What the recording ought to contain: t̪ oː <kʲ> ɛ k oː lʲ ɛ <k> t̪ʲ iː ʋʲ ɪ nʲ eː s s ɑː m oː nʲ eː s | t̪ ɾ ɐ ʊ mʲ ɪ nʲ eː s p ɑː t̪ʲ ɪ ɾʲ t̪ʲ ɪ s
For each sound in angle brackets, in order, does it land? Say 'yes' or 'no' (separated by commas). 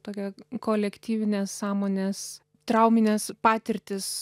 yes, yes